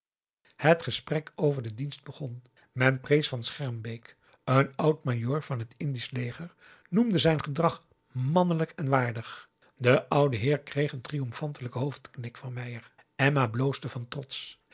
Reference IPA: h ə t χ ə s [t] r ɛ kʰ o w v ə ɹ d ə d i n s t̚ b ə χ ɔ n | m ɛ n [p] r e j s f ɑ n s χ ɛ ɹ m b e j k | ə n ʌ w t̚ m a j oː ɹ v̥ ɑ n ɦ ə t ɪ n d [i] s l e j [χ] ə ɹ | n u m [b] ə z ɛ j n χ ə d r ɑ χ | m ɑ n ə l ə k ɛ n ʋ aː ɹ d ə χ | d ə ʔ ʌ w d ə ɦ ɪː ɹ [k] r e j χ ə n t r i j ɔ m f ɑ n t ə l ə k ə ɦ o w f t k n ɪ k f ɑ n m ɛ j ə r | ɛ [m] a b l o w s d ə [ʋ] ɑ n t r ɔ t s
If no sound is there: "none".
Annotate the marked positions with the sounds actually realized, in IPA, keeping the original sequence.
p, p, i, χ, d, k, m, v

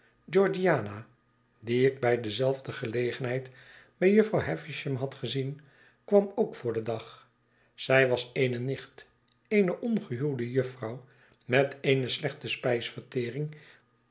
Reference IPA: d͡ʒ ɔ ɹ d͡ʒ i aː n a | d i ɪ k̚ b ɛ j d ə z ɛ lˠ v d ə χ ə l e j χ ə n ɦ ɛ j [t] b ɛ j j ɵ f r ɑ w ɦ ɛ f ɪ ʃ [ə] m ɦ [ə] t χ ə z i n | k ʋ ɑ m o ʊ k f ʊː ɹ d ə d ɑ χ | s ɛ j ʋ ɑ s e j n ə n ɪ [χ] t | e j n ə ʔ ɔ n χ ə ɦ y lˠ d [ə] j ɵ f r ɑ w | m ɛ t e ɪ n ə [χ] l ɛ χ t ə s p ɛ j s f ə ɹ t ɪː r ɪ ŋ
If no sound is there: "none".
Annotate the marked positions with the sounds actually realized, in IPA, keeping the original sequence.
t, ə, ɑ, χ, ə, s

